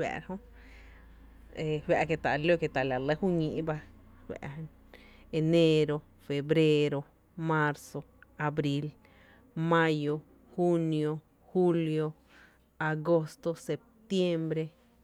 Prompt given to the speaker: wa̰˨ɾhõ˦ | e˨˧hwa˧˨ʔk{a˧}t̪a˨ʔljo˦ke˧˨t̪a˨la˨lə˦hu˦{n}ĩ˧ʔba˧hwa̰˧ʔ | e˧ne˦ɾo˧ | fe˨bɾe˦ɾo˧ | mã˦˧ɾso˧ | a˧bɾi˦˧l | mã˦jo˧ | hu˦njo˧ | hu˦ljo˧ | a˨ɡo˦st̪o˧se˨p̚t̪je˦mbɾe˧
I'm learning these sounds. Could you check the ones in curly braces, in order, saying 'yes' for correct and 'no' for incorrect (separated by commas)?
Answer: no, no